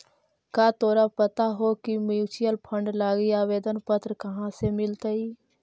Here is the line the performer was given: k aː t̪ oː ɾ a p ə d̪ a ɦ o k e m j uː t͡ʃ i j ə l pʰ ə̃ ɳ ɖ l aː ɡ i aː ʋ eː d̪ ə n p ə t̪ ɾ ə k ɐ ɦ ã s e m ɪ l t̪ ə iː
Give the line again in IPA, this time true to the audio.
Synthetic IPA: k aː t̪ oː ɾ a p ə t̪ a ɦ o k i m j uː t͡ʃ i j ə l pʰ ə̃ ɳ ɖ l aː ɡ i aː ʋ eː d̪ ə n p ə t̪ ɾ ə k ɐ ɦ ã s e m ɪ l t̪ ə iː